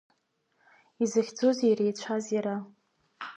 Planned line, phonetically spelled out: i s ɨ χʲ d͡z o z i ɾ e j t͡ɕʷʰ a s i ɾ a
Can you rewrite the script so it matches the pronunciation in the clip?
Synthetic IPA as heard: i z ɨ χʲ d͡z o z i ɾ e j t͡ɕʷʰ a z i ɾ a